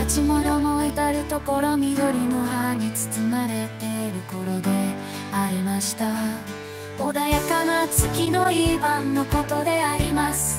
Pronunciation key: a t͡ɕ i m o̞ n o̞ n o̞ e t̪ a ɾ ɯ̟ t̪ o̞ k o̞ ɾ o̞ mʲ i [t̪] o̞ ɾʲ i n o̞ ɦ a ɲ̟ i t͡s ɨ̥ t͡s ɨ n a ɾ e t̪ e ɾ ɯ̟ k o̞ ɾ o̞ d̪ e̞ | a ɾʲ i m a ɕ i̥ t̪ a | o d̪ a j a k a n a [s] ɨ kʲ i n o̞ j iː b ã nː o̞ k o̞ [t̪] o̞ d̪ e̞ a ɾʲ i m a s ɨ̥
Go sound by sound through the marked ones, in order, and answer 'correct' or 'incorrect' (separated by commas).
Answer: incorrect, incorrect, correct